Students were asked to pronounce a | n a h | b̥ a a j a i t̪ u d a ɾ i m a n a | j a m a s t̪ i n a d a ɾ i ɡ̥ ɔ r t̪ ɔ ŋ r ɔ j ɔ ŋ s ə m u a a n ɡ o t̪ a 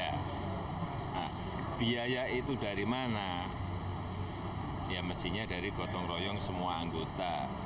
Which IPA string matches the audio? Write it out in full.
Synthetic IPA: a | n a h | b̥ i a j a i t̪ u d a ɾ i m a n a | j a m ə s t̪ i ɲ a d a ɾ i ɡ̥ ɔ t̪ ɔ ŋ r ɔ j ɔ ŋ s ə m u a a ŋ ɡ o t̪ a